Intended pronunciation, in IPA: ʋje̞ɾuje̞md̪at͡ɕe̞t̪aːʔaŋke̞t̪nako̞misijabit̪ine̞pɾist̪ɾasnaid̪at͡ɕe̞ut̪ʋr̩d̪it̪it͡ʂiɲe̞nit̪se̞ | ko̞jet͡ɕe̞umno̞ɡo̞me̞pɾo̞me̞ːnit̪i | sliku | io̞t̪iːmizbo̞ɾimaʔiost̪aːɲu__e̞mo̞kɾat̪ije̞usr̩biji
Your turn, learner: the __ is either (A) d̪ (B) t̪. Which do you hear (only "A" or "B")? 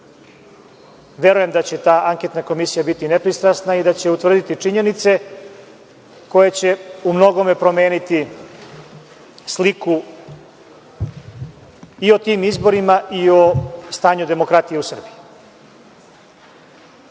A